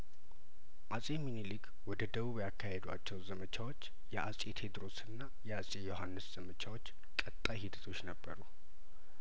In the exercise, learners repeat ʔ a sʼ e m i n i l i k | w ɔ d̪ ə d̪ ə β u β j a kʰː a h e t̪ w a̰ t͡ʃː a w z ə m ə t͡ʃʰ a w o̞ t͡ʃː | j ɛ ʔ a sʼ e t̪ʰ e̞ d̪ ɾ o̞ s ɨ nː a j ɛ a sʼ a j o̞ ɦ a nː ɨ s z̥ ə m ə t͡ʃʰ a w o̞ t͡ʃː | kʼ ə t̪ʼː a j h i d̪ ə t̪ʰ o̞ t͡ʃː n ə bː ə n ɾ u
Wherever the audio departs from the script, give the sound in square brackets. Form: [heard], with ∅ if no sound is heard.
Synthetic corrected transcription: ʔ a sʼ e m i n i l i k | w ɔ d̪ ə d̪ ə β u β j a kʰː a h e [d̪] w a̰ t͡ʃː [ɛ] w z ə m ə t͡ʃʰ a w o̞ t͡ʃː | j ɛ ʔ a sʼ e t̪ʰ e̞ d̪ ɾ o̞ s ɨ nː a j ɛ a sʼ [e] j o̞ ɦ a nː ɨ s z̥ ə m ə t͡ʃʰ a w o̞ t͡ʃː | kʼ ə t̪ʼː a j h i d̪ ə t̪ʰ o̞ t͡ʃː n ə bː ə [∅] ɾ u